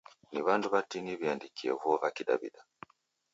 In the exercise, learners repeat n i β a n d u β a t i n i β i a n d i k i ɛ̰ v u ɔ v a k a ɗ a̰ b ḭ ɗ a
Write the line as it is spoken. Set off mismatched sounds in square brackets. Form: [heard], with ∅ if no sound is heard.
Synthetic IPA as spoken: n i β a n d u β a t i n i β i a n d i k i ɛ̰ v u ɔ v a k [i] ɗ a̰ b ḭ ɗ a